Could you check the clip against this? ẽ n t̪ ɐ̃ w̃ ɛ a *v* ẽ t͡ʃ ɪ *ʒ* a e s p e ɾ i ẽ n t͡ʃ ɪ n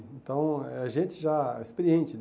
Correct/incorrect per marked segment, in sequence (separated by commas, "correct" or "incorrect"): incorrect, correct